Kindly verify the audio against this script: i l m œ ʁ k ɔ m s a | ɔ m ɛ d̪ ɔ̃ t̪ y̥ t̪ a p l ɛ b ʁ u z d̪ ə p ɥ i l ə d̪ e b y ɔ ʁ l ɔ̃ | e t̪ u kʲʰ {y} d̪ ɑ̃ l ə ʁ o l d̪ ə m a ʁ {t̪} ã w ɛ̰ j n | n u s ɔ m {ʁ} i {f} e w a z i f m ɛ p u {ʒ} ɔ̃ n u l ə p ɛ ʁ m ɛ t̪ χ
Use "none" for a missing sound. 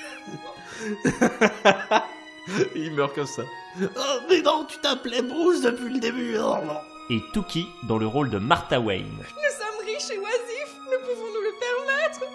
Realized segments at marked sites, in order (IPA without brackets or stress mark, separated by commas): i, t̪, ʁ, ʃ, v